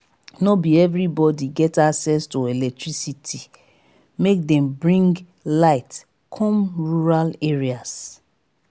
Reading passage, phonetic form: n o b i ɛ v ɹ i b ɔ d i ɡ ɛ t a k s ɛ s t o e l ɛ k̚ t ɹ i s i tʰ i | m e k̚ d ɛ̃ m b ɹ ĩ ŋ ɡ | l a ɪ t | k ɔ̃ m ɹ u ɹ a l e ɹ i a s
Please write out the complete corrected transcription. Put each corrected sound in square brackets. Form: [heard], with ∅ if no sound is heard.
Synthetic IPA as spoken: n o b i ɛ v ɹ i b ɔ d i ɡ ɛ t a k s ɛ s t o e l ɛ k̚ t ɹ i s i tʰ i | m e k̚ d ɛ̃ m b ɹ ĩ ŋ ɡ | l a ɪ t | [kʰ] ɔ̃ m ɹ u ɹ a l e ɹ i a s